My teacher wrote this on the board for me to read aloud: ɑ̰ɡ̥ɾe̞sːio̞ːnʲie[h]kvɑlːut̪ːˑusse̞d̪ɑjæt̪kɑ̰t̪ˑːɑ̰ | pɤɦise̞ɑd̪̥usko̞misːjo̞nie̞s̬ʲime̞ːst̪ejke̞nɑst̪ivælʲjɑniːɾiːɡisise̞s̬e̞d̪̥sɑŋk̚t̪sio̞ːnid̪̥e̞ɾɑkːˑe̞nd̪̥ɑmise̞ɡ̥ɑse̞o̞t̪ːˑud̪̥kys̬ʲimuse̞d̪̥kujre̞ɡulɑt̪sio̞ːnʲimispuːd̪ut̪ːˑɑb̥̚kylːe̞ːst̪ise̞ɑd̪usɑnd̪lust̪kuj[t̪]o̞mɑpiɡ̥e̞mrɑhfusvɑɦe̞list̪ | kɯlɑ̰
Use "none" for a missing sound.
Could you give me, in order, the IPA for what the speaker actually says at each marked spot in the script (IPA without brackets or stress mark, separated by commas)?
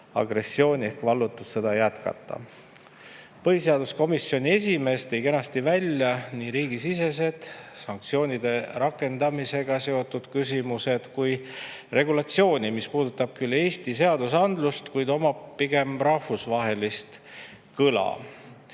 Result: h, d̪